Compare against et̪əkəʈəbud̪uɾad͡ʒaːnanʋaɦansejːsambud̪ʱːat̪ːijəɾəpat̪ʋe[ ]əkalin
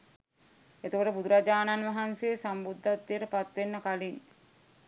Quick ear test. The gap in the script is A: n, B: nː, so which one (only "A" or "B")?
B